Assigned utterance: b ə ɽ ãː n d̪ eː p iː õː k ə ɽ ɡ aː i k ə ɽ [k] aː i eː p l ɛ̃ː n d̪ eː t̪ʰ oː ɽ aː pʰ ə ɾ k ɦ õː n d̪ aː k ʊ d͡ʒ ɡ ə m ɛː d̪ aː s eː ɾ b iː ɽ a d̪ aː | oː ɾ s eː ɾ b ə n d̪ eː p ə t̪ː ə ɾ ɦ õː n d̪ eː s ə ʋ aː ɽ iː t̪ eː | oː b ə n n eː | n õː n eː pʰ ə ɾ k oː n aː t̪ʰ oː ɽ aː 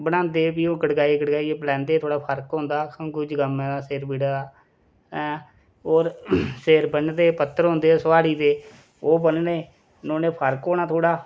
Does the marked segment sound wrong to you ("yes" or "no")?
yes